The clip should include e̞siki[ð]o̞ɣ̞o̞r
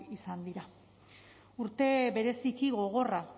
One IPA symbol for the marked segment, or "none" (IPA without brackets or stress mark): ɣ